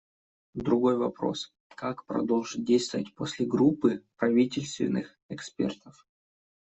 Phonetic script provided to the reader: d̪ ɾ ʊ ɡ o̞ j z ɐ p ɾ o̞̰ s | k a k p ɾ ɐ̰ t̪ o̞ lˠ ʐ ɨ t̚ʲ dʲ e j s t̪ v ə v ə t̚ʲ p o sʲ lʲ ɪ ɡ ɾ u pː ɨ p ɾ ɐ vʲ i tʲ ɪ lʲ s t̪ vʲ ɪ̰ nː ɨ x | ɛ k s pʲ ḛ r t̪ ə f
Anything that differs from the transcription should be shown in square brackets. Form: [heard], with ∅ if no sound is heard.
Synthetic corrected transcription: d̪ ɾ ʊ ɡ o̞ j [v] ɐ p ɾ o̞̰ s | k a k p ɾ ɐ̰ [d̪] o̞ lˠ ʐ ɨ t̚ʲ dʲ e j s t̪ v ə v ə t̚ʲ p o sʲ lʲ ɪ ɡ ɾ u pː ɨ p ɾ ɐ vʲ i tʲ ɪ lʲ s t̪ vʲ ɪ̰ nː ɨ x | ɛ k s pʲ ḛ r t̪ ə f